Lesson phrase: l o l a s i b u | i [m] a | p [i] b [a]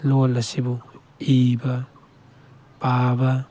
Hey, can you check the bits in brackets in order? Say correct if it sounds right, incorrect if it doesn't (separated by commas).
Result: incorrect, incorrect, correct